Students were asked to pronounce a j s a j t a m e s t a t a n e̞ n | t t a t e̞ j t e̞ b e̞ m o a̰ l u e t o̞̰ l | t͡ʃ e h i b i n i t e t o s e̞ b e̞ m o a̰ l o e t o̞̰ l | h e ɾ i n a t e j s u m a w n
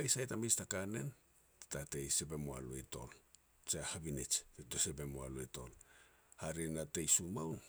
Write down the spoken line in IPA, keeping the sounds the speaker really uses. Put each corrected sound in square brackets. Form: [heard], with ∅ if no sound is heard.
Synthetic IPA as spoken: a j s a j t a m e s t a [k] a n e̞ n | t t a t e̞ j [s] e̞ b e̞ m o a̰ l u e t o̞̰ l | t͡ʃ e h [a] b i n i [t͡ʃ] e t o s e̞ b e̞ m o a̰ l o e t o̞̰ l | h [a] ɾ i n a t e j s u m a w n